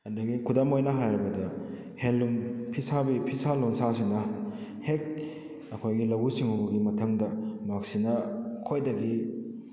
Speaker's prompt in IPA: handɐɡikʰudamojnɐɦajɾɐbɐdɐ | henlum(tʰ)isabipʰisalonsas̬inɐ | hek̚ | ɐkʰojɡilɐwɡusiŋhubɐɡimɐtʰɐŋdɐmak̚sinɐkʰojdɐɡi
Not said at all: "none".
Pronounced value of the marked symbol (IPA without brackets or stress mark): pʰ